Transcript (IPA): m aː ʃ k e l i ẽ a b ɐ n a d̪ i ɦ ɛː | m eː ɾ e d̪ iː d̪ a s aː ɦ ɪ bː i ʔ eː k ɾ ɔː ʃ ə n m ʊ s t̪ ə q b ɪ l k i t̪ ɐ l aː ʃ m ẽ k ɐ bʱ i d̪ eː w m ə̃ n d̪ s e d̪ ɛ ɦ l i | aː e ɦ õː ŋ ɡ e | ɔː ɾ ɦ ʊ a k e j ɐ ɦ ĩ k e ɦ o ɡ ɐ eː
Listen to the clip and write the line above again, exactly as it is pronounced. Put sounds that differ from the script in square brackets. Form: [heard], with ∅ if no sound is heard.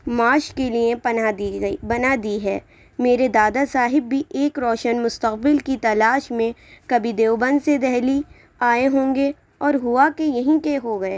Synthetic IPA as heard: m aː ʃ k e l i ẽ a b ɐ n a d̪ i ɦ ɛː | m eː ɾ e d̪ [aː] d̪ a s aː ɦ ɪ bː i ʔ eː k ɾ ɔː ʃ ə n m ʊ s t̪ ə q b ɪ l k i t̪ ɐ l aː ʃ m ẽ k ɐ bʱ i d̪ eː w [b] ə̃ n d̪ s e d̪ ɛ ɦ l i | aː e ɦ õː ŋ ɡ e | ɔː ɾ ɦ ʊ a k e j ɐ ɦ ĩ k e ɦ o ɡ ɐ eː